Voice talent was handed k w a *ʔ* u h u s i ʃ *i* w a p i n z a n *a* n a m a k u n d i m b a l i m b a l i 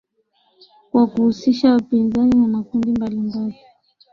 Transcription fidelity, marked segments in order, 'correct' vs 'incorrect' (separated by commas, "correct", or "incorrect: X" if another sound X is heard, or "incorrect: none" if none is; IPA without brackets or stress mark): incorrect: k, incorrect: a, incorrect: i